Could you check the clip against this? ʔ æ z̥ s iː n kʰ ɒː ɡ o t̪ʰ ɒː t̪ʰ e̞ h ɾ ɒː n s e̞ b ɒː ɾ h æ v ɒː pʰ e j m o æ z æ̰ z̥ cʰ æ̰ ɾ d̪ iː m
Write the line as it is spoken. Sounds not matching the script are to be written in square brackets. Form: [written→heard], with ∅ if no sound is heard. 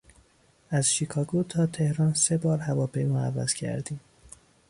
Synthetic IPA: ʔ æ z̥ [s→ʃ] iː [n→∅] kʰ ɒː ɡ o t̪ʰ ɒː t̪ʰ e̞ h ɾ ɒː n s e̞ b ɒː ɾ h æ v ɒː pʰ e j m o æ [z→v] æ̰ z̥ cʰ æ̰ ɾ d̪ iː m